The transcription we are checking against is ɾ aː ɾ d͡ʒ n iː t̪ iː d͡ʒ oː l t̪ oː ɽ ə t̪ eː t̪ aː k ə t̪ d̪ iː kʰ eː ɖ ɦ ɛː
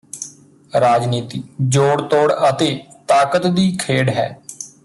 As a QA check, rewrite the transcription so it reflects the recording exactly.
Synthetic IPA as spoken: ɾ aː d͡ʒ n iː t̪ iː d͡ʒ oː ɽ t̪ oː ɽ ə t̪ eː t̪ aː k ə t̪ d̪ iː kʰ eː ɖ ɦ ɛː